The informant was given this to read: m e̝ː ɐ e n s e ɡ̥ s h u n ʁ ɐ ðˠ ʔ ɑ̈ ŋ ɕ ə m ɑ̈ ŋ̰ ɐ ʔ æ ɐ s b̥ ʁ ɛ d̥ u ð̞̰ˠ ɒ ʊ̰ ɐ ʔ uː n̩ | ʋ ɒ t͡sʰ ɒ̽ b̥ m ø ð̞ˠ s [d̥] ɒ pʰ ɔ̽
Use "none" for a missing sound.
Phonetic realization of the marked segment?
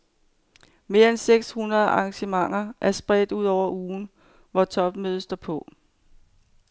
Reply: d̥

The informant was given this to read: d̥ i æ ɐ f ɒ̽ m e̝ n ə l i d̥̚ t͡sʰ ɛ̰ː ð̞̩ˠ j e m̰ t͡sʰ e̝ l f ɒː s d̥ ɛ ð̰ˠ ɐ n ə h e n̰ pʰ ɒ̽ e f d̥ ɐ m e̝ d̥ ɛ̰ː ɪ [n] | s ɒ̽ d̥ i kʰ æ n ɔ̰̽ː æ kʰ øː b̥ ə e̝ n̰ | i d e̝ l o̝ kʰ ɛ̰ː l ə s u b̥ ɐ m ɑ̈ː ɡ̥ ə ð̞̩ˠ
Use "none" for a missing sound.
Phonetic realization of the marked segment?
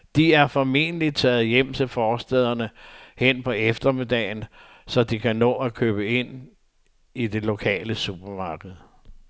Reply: n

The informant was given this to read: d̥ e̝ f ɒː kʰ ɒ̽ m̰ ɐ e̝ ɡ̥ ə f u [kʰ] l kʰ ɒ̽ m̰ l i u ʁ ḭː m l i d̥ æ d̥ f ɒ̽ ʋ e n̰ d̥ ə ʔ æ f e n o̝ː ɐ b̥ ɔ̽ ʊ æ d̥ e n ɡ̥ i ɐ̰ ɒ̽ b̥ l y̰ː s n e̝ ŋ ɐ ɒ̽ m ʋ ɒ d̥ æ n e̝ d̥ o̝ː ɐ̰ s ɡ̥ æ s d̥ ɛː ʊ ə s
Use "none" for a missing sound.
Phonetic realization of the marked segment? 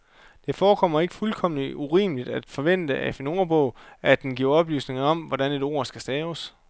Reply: none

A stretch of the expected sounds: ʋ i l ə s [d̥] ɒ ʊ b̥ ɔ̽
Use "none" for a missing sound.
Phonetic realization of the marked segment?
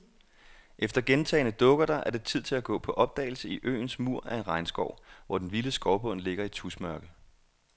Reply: ɡ̥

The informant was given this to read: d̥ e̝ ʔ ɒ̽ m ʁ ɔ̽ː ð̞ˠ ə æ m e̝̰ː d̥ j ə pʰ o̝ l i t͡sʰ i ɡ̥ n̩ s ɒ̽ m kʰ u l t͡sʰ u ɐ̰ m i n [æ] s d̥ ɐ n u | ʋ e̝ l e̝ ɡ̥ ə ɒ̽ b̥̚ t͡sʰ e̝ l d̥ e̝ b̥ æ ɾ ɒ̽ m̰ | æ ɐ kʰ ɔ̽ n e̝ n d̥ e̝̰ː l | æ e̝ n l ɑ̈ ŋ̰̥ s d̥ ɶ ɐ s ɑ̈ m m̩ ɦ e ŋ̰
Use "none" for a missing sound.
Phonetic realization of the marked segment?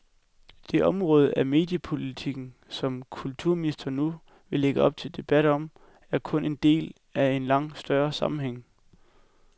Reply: i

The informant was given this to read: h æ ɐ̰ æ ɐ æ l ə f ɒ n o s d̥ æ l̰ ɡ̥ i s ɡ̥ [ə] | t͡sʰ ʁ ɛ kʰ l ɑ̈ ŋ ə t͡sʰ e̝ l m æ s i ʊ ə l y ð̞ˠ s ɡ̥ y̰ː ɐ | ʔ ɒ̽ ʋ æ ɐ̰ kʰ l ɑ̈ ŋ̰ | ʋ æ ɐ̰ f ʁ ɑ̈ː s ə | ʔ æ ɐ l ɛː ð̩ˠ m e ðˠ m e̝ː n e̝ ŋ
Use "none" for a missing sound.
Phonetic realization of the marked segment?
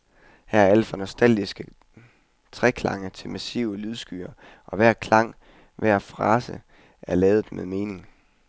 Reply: ə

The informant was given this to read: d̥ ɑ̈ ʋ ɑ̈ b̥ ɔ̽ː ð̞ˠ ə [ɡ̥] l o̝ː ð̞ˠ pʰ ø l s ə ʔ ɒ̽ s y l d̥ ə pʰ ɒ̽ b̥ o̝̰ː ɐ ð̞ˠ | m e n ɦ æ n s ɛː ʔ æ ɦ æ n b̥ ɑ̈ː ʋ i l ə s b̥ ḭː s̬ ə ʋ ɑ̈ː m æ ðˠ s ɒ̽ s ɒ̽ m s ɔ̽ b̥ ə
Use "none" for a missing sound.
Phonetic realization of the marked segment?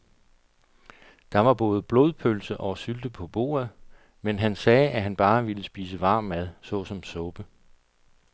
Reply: b̥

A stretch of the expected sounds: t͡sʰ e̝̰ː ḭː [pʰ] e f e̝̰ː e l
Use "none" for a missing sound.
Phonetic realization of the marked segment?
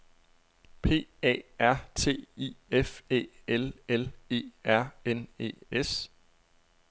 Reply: none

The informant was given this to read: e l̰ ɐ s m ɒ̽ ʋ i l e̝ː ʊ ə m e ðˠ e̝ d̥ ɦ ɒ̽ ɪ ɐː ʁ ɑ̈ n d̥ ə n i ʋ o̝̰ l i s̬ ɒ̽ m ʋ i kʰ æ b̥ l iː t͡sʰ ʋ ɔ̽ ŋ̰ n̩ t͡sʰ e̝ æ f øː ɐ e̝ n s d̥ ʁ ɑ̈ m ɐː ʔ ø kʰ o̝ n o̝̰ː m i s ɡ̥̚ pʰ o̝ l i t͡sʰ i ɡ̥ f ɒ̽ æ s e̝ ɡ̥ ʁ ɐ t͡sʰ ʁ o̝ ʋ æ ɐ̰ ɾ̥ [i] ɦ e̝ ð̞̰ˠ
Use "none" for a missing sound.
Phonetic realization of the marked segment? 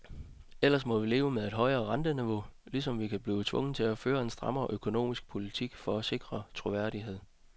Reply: i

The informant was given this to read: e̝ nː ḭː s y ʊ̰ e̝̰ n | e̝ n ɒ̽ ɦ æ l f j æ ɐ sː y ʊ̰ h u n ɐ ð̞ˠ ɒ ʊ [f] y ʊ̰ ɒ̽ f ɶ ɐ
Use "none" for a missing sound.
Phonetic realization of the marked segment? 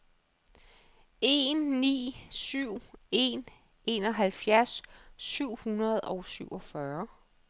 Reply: s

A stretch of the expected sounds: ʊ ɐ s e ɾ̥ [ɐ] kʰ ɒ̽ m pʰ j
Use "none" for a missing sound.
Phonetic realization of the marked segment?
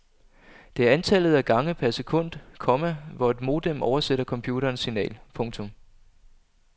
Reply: ɐ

